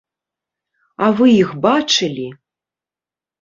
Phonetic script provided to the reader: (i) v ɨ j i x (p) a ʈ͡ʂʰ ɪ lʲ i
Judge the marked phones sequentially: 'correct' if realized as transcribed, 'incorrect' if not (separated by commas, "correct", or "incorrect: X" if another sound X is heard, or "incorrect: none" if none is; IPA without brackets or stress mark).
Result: incorrect: a, incorrect: b